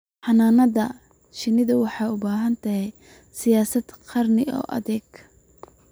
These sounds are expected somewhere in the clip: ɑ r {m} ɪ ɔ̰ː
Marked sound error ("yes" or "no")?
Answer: yes